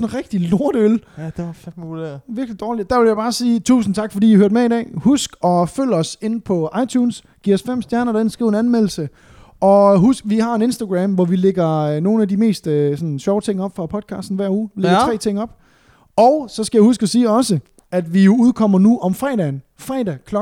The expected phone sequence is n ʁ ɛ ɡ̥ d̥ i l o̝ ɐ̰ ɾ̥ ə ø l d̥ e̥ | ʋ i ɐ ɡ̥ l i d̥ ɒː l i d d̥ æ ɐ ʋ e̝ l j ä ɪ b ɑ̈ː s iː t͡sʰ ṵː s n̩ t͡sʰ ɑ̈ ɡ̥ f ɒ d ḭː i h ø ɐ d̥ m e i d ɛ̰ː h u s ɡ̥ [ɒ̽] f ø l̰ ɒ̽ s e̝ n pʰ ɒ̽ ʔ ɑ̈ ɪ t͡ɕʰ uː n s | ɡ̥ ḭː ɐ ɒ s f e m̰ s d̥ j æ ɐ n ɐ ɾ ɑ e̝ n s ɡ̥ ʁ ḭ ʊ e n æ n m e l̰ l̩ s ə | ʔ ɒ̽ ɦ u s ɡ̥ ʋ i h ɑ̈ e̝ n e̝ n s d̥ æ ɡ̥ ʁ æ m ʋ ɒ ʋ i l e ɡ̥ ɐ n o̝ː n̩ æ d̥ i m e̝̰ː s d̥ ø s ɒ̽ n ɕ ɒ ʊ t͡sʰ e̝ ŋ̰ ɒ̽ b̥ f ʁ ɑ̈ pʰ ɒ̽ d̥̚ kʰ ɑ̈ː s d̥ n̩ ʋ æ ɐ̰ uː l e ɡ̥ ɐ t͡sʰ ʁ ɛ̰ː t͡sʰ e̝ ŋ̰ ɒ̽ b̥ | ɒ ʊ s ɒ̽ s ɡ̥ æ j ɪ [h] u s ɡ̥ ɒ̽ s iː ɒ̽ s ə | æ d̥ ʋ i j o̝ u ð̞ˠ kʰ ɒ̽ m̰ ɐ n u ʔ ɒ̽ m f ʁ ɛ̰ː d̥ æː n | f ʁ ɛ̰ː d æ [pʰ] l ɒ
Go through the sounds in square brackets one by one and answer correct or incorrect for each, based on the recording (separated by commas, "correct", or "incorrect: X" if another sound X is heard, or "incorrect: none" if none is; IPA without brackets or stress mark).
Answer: correct, correct, incorrect: kʰ